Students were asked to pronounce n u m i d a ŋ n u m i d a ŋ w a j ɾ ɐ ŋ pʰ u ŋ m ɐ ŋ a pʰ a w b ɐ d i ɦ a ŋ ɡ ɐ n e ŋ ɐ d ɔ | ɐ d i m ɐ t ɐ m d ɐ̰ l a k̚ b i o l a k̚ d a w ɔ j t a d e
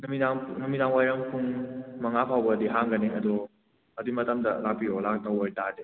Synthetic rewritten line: n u m i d a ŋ n u m i d a ŋ w a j ɾ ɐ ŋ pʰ u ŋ m ɐ ŋ a pʰ a w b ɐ d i ɦ a ŋ ɡ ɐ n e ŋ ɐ d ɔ | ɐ d i m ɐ t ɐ m d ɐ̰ l a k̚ p i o l a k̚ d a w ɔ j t a d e